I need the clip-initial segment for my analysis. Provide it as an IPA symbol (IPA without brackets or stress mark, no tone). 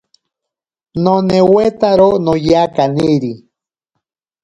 n